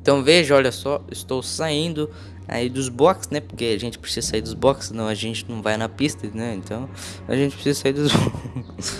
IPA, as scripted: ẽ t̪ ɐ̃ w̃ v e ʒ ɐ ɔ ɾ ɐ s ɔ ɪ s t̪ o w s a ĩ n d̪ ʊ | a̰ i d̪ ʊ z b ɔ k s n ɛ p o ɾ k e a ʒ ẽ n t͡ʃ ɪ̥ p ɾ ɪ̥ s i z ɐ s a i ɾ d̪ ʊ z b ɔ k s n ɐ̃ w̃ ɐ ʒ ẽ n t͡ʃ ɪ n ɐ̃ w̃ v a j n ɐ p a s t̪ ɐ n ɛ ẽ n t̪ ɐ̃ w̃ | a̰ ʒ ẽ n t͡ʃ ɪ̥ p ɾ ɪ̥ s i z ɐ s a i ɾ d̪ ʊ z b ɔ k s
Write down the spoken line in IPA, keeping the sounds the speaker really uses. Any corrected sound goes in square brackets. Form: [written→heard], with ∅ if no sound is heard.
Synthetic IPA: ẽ t̪ ɐ̃ w̃ v e ʒ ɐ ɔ [ɾ→ʎ] ɐ s ɔ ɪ s t̪ o w s a ĩ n d̪ ʊ | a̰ i d̪ ʊ z b ɔ k s n ɛ p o ɾ k e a ʒ ẽ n t͡ʃ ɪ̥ p ɾ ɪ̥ s i z ɐ s a i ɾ d̪ ʊ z b ɔ k s n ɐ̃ w̃ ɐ ʒ ẽ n t͡ʃ ɪ n ɐ̃ w̃ v a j n ɐ p [a→i] s t̪ ɐ n ɛ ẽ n t̪ ɐ̃ w̃ | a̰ ʒ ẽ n t͡ʃ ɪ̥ p ɾ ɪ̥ s i z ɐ s a i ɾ d̪ ʊ z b ɔ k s